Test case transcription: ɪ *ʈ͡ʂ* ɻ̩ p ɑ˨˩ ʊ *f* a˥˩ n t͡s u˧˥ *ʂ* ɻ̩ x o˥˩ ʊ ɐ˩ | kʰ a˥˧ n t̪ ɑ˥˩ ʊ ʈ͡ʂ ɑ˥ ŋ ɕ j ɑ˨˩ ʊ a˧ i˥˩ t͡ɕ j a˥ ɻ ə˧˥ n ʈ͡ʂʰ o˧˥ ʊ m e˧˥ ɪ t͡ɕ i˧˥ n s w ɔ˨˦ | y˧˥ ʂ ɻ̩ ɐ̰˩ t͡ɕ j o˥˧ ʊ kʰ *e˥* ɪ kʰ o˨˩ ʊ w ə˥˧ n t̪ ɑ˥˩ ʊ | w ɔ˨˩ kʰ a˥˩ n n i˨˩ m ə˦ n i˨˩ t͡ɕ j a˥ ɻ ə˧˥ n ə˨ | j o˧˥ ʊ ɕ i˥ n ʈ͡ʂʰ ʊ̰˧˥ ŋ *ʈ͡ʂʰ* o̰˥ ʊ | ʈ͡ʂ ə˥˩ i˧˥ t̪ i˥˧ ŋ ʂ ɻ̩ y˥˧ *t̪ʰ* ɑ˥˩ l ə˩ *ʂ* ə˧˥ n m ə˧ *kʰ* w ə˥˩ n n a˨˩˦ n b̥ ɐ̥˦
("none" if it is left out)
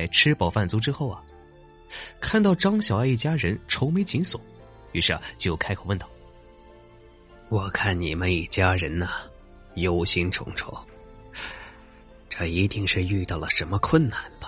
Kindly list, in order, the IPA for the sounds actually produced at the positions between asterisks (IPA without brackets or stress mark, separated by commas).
ʈ͡ʂʰ, f, ʈ͡ʂ, a˥, ʈ͡ʂʰ, t̪, ʂ, kʰ